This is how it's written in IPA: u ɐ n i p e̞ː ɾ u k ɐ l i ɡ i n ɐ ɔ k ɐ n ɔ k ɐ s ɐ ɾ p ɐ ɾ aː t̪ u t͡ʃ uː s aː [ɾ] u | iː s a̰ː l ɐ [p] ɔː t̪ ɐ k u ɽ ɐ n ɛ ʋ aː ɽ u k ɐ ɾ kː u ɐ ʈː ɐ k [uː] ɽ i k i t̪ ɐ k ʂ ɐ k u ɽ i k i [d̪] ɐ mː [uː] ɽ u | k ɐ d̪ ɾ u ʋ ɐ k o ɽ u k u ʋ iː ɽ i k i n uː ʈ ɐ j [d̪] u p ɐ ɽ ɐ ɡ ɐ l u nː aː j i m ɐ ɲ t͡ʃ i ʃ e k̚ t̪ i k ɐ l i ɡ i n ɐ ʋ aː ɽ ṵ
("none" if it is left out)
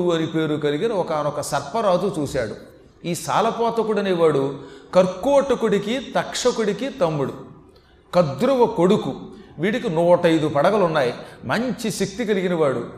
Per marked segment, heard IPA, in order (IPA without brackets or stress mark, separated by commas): ɽ, p, u, t̪, u, d̪